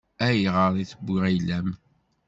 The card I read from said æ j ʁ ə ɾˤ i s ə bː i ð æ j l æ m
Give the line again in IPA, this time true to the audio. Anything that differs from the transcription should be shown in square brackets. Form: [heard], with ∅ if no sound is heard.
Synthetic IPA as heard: æ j ʁ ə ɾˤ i [θ] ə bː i [ʁ] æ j l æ m